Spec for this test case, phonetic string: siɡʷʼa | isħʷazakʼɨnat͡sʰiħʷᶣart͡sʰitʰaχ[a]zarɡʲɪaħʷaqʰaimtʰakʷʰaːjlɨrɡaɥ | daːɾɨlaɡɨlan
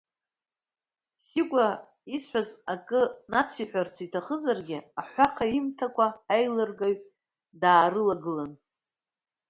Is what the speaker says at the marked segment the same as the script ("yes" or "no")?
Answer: no